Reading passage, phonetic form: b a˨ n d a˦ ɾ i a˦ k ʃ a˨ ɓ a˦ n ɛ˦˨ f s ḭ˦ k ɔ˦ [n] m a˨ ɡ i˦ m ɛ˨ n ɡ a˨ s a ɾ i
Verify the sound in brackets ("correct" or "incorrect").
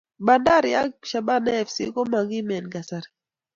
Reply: incorrect